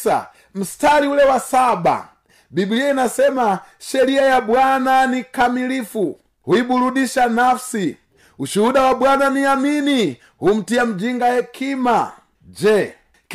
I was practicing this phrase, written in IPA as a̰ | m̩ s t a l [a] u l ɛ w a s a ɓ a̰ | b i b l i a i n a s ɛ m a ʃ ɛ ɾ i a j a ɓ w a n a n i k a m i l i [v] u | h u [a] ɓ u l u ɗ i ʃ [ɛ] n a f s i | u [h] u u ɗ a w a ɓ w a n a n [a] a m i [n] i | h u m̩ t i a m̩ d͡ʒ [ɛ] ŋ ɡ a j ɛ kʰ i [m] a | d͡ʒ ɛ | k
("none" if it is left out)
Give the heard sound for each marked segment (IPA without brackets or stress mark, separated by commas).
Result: i, f, i, a, ʃ, i, n, i, m